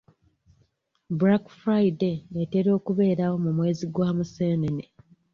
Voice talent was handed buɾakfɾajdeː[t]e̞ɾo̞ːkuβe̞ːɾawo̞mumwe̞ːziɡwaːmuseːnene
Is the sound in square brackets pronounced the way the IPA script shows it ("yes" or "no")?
yes